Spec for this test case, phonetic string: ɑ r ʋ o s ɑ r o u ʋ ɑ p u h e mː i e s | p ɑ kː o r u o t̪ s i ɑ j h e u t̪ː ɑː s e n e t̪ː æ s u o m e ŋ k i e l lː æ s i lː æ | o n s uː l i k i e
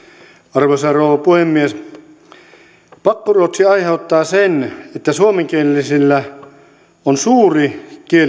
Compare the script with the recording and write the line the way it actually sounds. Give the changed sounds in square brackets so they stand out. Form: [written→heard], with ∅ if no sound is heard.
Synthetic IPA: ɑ r ʋ o s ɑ r o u ʋ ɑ p u h e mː i e s | p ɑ kː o r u o t̪ s i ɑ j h e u t̪ː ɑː s e n e t̪ː æ s u o m e ŋ k i e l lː [æ→i] s i lː æ | o n s uː [l→r] i k i e